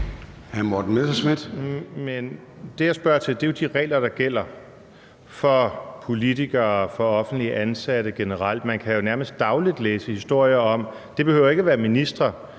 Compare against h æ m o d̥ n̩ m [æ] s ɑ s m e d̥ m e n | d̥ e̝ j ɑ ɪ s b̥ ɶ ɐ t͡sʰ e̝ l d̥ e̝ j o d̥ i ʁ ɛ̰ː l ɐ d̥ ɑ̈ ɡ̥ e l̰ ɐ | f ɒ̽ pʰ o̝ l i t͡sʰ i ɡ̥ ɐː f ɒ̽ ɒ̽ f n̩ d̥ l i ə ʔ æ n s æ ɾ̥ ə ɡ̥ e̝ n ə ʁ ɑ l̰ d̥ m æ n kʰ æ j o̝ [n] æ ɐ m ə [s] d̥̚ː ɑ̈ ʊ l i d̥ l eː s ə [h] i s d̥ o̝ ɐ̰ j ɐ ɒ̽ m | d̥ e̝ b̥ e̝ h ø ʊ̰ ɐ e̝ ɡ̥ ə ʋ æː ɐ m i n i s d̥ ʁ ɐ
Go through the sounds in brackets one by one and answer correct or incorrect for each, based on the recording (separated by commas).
incorrect, correct, correct, correct